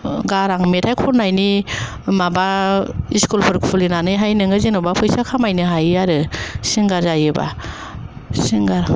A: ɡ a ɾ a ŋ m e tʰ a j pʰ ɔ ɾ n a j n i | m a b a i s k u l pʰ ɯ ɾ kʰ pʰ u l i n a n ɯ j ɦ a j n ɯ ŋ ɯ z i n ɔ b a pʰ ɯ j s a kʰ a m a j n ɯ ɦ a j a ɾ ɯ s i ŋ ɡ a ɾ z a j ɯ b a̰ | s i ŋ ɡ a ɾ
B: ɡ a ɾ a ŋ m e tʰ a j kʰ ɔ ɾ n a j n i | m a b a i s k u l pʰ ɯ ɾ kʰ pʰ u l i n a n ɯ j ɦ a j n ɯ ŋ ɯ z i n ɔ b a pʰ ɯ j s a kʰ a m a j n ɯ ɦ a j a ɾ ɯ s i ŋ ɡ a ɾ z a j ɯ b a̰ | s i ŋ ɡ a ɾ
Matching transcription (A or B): B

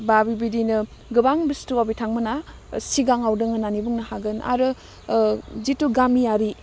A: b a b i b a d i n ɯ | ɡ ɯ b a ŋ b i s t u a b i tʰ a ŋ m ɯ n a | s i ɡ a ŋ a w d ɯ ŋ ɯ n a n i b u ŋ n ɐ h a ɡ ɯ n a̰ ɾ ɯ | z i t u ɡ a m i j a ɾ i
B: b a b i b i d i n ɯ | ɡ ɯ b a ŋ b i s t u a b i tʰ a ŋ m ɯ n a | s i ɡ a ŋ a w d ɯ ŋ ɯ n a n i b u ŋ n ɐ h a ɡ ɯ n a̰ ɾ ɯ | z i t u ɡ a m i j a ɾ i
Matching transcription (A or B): B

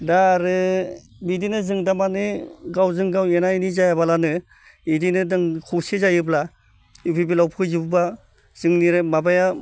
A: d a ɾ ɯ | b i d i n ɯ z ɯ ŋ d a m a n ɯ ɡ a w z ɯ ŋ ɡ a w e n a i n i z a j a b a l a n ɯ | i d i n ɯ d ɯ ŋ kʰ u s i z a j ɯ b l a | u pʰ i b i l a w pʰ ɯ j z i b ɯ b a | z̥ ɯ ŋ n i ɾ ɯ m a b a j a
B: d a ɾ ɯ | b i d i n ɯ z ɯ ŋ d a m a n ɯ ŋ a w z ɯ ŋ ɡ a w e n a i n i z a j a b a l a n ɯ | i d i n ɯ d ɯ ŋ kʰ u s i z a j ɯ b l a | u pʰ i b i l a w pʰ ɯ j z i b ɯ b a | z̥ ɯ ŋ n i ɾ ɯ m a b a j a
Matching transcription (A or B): A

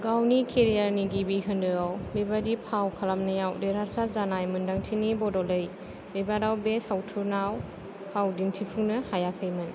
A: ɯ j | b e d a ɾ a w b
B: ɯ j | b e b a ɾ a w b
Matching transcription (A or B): B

